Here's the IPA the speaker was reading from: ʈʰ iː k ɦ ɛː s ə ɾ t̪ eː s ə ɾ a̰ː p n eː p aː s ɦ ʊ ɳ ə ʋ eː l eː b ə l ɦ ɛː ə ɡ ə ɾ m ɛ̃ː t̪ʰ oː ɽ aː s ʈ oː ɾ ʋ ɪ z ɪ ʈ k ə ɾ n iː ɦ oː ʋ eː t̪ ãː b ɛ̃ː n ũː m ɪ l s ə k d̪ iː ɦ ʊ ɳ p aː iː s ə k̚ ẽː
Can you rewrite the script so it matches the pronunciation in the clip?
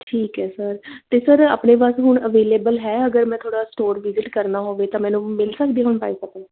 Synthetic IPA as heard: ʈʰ iː k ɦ ɛː s ə ɾ t̪ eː s ə ɾ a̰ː p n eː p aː s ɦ ʊ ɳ ə ʋ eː l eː b ə l ɦ ɛː ə ɡ ə ɾ m ɛ̃ː t̪ʰ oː ɽ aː s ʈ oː ɾ ʋ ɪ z ɪ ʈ k ə ɾ n aː ɦ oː ʋ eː t̪ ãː m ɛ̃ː n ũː m ɪ l s ə k d̪ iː ɦ ʊ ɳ p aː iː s ə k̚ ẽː